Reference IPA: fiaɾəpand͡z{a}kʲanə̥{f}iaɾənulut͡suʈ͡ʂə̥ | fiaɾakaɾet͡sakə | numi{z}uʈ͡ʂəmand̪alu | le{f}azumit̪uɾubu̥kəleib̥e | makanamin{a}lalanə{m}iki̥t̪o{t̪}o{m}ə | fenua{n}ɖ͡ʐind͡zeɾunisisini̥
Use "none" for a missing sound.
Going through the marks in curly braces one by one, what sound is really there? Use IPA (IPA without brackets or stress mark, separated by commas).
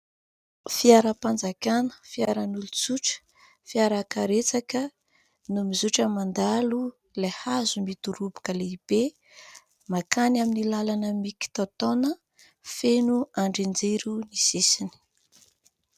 a, f, z, h, i, m, t̪, n, ɳ